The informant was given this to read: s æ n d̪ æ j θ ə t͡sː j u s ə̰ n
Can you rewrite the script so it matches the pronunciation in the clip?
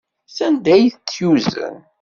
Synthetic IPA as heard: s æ n d̪ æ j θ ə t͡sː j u z ə̰ n

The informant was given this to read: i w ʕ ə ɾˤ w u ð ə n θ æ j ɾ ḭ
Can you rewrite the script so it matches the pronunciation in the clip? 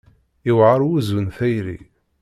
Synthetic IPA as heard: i w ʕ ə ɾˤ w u z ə n θ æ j ɾ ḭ

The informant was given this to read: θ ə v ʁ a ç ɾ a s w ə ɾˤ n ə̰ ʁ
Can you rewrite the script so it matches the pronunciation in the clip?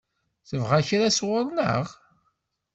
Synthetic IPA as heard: θ ə v ʁ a ç ɾ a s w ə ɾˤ n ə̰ ʁ

